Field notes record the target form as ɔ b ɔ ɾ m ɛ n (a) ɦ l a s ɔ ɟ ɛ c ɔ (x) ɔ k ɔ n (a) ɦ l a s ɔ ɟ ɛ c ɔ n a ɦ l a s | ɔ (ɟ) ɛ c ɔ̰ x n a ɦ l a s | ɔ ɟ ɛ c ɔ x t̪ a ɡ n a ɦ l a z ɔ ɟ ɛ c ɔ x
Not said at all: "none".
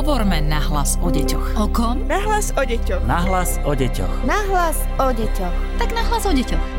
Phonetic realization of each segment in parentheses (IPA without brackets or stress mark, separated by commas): a, x, a, ɟ